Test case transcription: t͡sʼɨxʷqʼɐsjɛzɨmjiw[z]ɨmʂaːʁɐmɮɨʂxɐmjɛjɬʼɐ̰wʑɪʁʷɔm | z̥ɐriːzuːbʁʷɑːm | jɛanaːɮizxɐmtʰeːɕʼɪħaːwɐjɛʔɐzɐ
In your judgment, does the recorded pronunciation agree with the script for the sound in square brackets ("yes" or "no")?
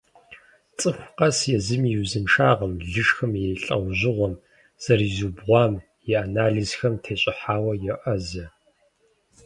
yes